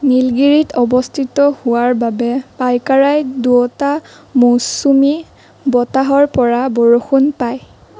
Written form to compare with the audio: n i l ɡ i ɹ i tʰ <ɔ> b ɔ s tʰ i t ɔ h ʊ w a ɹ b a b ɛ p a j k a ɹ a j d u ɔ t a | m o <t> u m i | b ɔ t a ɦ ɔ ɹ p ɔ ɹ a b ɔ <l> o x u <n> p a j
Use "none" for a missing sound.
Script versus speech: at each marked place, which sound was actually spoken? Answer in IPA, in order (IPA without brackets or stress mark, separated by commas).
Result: ɔ, s, ɹ, n